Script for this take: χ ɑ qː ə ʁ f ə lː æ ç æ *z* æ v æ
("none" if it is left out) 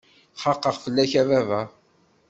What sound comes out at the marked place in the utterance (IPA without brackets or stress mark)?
v